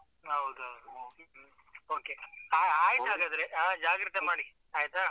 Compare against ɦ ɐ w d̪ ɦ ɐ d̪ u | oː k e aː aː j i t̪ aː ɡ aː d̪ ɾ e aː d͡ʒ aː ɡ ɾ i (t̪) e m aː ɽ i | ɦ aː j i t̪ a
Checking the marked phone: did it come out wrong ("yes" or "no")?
no